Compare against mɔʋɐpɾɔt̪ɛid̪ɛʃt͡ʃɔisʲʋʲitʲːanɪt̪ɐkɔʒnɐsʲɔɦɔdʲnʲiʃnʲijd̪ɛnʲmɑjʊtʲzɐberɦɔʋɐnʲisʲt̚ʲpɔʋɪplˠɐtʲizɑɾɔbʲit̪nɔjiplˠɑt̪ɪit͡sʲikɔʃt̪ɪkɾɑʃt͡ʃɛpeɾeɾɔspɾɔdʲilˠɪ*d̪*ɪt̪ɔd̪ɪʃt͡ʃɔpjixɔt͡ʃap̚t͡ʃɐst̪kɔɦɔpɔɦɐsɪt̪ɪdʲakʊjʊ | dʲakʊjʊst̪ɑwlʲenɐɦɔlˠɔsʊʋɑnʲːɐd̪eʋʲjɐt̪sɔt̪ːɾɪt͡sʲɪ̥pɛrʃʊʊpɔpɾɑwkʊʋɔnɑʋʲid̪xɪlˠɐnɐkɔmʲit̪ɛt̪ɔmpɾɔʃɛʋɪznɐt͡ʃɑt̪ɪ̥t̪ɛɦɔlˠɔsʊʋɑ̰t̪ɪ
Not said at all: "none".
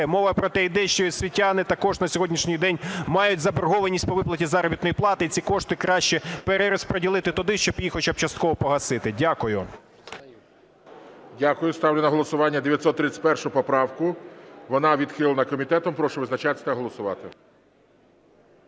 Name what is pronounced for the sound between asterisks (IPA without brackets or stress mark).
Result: t̪